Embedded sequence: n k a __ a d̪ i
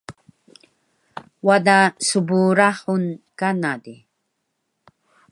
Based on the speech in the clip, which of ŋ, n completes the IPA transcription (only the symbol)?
n